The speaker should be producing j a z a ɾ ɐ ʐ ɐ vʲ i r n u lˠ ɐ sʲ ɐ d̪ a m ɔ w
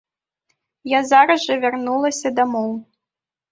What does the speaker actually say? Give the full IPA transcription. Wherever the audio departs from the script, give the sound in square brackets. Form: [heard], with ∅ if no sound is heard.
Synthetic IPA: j a z a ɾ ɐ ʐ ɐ vʲ [a] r n u lˠ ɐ sʲ ɐ d̪ a m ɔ w